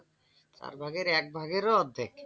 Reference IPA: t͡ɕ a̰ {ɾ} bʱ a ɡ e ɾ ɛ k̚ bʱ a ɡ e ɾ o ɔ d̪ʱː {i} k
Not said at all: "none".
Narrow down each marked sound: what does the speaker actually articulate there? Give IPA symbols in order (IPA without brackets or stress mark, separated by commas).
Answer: ɾ, e